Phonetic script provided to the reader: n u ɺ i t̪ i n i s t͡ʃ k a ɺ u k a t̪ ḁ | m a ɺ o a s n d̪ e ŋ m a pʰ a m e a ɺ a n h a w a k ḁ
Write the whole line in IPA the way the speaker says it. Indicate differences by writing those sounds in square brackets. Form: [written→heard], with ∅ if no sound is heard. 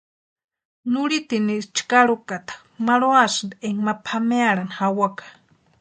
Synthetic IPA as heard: n u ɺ i t̪ i n i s t͡ʃ k a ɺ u k a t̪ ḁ | m a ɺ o a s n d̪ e ŋ m a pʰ a m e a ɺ a n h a w a k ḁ